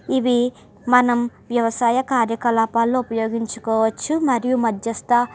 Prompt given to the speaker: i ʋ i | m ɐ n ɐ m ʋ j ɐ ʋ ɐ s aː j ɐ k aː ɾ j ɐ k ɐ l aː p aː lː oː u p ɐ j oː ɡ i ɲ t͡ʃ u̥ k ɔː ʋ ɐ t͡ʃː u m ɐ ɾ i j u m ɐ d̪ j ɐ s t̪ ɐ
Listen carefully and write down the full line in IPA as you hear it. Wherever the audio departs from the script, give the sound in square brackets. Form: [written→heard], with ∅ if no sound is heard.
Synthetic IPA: i ʋ i | m ɐ n ɐ m ʋ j ɐ ʋ ɐ s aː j ɐ k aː ɾ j ɐ k ɐ l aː p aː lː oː u p ɐ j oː ɡ i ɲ t͡ʃ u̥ k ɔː ʋ ɐ t͡ʃː u m ɐ ɾ i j u m ɐ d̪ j ɐ s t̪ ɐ